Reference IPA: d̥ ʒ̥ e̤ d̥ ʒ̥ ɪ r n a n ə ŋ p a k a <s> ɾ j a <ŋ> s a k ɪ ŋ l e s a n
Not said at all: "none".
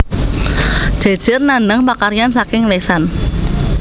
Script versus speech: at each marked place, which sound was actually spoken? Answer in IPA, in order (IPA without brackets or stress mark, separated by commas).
none, n